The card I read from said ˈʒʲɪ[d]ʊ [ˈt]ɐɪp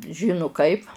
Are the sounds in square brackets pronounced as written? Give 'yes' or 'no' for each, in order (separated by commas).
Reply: no, no